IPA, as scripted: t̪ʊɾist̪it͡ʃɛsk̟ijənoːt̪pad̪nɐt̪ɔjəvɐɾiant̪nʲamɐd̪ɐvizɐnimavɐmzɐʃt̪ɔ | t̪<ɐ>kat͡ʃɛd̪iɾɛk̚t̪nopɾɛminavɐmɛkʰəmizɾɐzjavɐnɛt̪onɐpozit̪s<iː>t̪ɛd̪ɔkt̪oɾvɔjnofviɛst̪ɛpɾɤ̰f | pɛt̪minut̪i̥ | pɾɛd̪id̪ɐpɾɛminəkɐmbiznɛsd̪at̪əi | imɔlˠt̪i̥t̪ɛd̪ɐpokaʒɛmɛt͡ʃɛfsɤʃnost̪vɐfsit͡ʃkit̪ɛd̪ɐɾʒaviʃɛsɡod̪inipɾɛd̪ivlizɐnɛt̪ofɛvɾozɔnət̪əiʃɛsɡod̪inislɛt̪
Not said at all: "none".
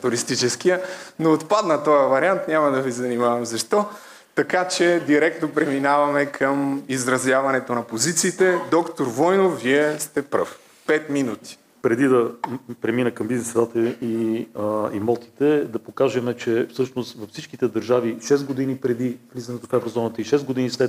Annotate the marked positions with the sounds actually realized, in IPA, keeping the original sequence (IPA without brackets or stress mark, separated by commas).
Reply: ɐ, iː